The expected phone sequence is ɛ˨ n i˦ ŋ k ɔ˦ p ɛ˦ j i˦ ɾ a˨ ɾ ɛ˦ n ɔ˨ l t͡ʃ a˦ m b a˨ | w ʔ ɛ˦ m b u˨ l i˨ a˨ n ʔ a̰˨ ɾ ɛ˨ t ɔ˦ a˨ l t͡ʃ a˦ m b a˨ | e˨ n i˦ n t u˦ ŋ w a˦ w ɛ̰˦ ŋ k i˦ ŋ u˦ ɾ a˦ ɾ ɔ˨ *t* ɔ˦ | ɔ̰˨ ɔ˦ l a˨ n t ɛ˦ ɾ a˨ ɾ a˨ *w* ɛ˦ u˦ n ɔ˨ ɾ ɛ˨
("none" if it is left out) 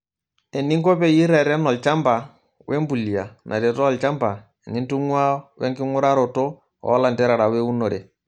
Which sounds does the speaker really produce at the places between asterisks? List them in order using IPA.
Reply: t, w

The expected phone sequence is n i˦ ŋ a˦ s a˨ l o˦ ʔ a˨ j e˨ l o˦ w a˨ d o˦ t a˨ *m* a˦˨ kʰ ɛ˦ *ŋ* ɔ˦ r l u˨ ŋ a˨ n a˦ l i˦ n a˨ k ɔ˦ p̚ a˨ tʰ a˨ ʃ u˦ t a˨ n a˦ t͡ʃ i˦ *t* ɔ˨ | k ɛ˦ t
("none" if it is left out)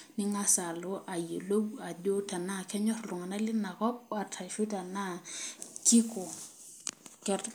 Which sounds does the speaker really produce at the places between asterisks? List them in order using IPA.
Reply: n, ɲ, k

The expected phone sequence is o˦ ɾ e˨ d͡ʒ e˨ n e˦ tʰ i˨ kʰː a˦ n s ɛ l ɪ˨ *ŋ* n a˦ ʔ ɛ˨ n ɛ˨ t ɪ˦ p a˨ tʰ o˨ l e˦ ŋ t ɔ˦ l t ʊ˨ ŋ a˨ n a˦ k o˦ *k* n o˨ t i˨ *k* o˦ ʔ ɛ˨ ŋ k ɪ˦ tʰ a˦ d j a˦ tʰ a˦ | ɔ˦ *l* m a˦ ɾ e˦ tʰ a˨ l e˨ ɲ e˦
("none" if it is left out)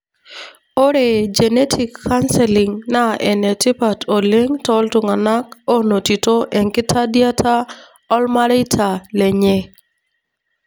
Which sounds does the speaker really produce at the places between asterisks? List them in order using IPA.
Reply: ŋ, none, t, l

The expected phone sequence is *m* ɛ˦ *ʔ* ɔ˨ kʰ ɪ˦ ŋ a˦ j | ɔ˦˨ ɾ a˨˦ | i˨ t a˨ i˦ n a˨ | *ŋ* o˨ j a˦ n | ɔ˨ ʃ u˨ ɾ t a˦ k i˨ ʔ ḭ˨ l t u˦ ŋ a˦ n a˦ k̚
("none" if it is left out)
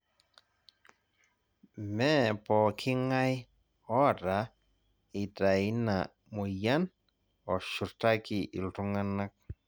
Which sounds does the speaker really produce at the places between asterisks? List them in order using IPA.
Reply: m, p, m

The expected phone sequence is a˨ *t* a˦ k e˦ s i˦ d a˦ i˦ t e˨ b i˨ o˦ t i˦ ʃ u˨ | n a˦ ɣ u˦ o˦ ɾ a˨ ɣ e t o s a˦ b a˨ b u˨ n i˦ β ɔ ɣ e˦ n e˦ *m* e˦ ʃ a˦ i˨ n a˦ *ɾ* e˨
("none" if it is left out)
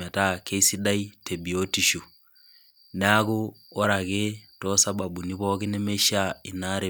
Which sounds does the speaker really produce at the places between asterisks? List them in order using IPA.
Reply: t, m, ɾ

